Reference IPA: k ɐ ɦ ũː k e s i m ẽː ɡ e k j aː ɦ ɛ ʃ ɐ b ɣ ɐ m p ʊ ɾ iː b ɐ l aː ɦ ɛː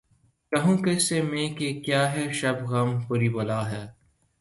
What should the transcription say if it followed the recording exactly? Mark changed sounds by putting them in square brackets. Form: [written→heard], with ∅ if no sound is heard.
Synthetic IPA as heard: k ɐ ɦ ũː k e s [i→e] m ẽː [ɡ→k] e k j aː ɦ ɛ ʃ ɐ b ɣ ɐ m p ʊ ɾ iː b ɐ l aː ɦ ɛː